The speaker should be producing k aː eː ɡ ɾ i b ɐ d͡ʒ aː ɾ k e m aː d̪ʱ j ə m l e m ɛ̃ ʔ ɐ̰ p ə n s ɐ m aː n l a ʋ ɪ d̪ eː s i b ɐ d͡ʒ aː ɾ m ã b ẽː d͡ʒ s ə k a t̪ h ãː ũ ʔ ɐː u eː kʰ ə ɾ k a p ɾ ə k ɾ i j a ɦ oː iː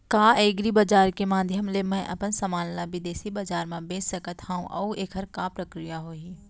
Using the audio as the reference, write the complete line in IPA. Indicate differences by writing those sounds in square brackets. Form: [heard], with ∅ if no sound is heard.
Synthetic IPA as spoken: k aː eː ɡ ɾ i b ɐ d͡ʒ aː ɾ k e m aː d̪ʱ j ə m l e m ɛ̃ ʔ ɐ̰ p ə n s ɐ m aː n l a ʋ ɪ d̪ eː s i b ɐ d͡ʒ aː ɾ m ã b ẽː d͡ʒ s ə k [ə] t̪ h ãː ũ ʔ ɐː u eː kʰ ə ɾ k a p ɾ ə k ɾ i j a ɦ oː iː